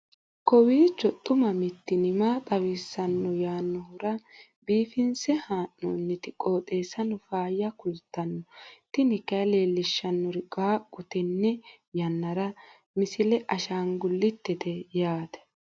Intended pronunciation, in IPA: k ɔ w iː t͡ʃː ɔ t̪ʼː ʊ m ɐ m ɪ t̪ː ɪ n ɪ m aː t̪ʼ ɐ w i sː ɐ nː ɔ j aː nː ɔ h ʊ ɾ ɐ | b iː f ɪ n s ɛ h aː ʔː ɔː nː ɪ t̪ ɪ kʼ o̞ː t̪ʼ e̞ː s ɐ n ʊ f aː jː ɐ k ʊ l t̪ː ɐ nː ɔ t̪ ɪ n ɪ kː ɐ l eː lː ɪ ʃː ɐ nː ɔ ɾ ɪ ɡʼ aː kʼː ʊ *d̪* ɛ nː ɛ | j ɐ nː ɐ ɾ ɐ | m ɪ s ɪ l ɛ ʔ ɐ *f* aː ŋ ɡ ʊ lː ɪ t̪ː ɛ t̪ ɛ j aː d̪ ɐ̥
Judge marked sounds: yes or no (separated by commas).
no, no